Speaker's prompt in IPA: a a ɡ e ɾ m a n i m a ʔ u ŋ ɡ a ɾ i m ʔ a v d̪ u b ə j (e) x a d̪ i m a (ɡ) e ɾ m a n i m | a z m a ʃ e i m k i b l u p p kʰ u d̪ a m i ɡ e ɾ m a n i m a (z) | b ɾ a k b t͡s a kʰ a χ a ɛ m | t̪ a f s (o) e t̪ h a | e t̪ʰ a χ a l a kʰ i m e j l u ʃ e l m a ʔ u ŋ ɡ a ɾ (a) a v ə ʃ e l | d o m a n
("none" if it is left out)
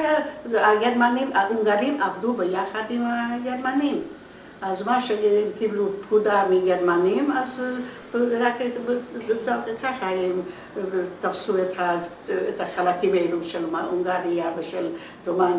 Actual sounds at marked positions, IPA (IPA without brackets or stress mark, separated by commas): a, ɡ, z, u, i